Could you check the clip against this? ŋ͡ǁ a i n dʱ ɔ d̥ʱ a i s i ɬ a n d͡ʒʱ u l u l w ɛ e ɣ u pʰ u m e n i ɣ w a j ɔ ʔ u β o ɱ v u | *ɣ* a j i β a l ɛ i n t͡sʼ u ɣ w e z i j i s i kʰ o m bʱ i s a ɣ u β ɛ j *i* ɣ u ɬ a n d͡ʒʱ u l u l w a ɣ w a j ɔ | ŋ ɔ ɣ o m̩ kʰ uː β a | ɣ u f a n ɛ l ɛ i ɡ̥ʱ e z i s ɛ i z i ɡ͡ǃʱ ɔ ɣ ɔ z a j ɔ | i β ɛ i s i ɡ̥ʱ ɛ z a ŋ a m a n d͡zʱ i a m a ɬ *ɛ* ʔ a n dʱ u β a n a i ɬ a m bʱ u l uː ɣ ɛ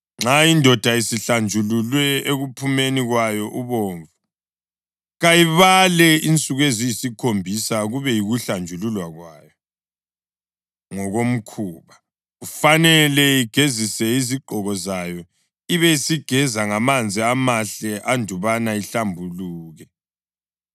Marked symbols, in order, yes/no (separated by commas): yes, yes, yes